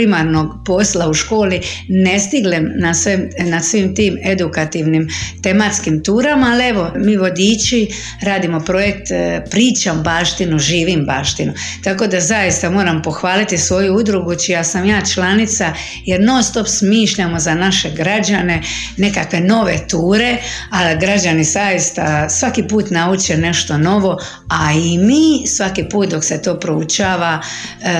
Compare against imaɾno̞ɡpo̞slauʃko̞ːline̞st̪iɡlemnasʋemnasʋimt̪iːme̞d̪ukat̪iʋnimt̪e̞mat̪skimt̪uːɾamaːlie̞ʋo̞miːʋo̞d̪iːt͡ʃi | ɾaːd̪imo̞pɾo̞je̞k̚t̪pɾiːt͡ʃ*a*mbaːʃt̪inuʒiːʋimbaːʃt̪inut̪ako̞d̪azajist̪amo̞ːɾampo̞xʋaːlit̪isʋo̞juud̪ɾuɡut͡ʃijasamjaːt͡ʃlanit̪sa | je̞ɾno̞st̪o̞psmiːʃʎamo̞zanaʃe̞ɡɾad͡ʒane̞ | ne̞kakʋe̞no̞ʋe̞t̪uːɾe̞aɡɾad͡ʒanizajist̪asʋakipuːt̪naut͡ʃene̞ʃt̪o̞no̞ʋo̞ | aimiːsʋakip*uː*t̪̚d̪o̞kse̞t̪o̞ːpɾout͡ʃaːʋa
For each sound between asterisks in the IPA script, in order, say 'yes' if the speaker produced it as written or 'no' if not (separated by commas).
yes, yes